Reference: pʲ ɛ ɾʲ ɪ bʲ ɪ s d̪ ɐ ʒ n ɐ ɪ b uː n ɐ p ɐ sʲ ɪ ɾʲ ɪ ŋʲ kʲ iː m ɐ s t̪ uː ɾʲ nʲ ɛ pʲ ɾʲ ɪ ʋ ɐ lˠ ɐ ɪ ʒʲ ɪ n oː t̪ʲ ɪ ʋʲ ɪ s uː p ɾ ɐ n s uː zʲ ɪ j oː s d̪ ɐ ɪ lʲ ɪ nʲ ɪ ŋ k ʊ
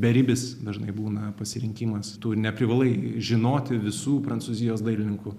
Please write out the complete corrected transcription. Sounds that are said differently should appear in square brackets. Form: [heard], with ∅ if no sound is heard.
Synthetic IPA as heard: [bʲ] ɛ ɾʲ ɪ bʲ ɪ s d̪ ɐ ʒ n ɐ ɪ b uː n ɐ p ɐ sʲ ɪ ɾʲ ɪ ŋʲ kʲ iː m ɐ s t̪ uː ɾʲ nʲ ɛ pʲ ɾʲ ɪ ʋ ɐ lˠ ɐ ɪ ʒʲ ɪ n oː t̪ʲ ɪ ʋʲ ɪ s uː p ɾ ɐ n s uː zʲ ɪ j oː s d̪ ɐ ɪ lʲ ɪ nʲ ɪ ŋ k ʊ

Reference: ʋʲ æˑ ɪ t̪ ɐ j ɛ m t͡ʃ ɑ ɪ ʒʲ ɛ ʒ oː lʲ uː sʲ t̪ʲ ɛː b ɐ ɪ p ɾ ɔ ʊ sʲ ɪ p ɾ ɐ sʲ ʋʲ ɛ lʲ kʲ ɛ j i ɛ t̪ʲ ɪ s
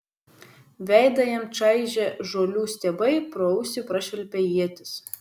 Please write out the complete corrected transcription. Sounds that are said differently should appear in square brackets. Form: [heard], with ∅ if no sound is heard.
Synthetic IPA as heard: ʋʲ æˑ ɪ [d̪] ɐ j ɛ m t͡ʃ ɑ ɪ ʒʲ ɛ ʒ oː lʲ uː sʲ t̪ʲ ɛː b ɐ ɪ p ɾ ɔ ʊ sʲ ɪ p ɾ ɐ [ʃʲ] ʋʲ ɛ lʲ [pʲ] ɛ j i ɛ t̪ʲ ɪ s

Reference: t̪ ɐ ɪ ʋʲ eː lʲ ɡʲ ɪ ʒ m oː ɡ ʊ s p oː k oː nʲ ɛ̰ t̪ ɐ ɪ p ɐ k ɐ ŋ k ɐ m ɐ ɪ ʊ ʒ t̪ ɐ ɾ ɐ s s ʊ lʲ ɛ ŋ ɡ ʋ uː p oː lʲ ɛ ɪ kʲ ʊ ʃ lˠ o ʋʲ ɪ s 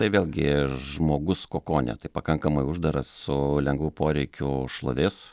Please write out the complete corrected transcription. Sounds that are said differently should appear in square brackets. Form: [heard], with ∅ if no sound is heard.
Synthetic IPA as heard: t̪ ɐ ɪ ʋʲ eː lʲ ɡʲ ɪ ʒ m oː ɡ ʊ s [k] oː k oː nʲ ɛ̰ t̪ ɐ ɪ p ɐ k ɐ ŋ k ɐ m ɐ ɪ ʊ ʒ [d̪] ɐ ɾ ɐ s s ʊ lʲ ɛ ŋ ɡ ʋ uː p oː [ɾʲ] ɛ ɪ kʲ ʊ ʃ lˠ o ʋʲ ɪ s

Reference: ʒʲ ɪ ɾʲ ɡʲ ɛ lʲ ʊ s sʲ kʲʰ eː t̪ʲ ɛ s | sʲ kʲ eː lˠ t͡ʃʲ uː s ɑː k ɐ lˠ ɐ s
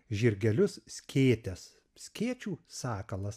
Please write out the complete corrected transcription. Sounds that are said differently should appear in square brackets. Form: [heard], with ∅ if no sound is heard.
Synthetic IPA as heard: ʒʲ ɪ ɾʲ ɡʲ ɛ lʲ ʊ s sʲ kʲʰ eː t̪ʲ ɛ s | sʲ kʲ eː [∅] t͡ʃʲ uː s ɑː k ɐ lˠ ɐ s

